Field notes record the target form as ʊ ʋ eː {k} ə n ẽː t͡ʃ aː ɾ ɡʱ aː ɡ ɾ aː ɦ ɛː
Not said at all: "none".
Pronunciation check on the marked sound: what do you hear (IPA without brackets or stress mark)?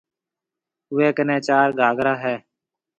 k